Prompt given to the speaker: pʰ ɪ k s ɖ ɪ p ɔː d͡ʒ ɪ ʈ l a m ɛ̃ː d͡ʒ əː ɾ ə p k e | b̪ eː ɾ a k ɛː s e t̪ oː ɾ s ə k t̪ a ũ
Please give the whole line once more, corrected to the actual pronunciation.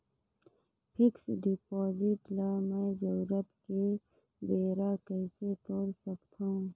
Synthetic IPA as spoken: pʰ ɪ k s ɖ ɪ p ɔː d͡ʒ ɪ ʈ l a m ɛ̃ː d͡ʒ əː ɾ ə p k e | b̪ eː ɾ a k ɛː s e t̪ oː ɾ s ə k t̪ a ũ